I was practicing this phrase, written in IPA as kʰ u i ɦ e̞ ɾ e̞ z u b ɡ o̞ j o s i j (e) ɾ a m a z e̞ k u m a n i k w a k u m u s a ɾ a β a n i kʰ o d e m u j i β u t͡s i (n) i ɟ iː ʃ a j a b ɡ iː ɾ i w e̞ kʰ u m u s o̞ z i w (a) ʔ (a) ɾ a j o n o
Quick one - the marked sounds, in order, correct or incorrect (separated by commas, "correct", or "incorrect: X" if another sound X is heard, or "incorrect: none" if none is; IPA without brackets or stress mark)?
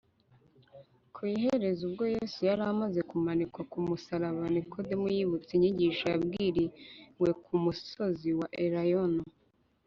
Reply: incorrect: a, incorrect: ɲ, correct, incorrect: e